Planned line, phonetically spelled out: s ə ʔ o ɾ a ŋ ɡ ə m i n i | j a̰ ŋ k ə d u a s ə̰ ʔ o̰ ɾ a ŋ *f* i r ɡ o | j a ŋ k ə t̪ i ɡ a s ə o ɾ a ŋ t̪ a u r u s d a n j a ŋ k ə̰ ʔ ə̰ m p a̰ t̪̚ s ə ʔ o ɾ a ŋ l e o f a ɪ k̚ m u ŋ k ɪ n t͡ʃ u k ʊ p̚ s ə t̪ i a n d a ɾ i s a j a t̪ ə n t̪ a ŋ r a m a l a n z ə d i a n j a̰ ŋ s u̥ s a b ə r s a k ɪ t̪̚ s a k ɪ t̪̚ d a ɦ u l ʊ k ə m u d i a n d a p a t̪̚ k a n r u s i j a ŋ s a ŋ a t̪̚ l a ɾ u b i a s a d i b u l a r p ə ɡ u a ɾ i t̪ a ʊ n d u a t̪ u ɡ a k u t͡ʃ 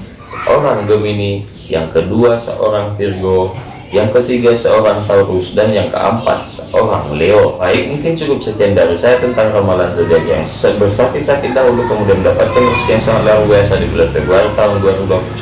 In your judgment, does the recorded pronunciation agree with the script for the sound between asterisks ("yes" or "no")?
yes